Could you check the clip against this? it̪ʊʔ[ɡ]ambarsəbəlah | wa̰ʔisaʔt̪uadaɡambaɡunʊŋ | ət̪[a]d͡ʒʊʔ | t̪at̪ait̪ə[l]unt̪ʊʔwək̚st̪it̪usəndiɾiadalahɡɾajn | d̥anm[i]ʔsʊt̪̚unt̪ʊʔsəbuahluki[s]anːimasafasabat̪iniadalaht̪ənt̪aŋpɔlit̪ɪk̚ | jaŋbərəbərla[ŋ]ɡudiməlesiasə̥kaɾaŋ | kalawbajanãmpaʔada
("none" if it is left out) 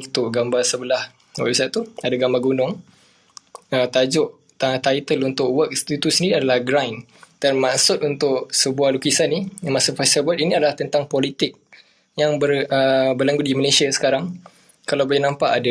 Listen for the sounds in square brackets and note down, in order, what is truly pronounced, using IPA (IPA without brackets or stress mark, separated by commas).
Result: ɡ, a, l, a, s, ŋ